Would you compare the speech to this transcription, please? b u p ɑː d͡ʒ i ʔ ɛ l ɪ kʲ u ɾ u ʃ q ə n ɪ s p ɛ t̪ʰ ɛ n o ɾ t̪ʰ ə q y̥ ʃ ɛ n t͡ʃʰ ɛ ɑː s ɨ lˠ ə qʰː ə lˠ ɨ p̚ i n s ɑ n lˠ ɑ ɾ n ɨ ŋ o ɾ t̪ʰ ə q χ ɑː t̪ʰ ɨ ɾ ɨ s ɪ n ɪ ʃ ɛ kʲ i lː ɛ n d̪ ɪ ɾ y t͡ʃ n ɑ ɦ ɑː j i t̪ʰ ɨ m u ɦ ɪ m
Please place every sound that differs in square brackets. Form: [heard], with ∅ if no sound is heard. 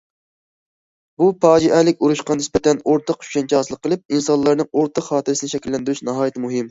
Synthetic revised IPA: b u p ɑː d͡ʒ i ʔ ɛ l ɪ kʲ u ɾ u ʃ q [ɑ] n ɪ s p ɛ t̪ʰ ɛ n o ɾ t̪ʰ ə q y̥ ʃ ɛ n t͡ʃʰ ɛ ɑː s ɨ lˠ ə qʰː ə lˠ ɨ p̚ i n s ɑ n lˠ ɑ ɾ n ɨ ŋ o ɾ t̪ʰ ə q χ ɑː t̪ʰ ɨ ɾ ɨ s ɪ n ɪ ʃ ɛ kʲ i lː ɛ n d̪ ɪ ɾ y t͡ʃ n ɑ ɦ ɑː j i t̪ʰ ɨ m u ɦ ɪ m